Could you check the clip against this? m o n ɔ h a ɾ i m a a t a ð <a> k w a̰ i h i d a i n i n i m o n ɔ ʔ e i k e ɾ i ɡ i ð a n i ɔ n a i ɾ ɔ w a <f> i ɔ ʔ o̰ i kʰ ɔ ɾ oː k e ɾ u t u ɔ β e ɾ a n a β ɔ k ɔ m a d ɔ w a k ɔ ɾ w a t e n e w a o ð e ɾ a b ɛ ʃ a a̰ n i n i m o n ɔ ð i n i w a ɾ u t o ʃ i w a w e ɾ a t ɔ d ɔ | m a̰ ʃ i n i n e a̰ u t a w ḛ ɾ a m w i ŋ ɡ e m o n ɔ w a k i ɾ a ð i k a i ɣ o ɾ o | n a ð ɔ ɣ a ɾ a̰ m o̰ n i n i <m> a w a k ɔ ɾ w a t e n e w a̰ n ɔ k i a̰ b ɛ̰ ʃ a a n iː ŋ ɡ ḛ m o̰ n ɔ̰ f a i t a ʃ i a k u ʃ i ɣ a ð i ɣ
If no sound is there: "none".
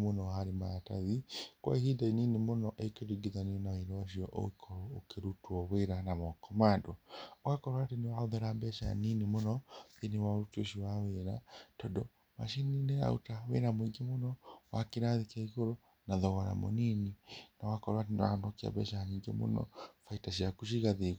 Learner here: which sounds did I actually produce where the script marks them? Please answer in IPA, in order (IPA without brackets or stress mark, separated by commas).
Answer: i, ʃ, n